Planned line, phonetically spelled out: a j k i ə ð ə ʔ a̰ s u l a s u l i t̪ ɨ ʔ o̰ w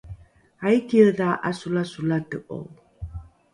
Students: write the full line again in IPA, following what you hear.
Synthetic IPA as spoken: a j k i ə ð a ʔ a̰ s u l a s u l a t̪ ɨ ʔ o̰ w